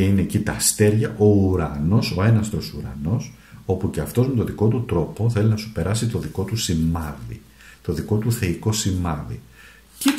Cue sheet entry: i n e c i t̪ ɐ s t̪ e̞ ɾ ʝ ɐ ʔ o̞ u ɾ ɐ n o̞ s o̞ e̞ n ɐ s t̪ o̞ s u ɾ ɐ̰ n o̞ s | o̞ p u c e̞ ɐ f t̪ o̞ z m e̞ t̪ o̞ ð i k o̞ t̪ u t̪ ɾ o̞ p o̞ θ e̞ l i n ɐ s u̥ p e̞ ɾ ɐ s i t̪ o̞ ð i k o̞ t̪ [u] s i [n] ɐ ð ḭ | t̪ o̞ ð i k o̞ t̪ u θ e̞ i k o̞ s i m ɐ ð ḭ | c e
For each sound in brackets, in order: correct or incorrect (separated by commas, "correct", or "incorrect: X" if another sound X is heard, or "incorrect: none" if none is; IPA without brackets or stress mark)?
correct, incorrect: m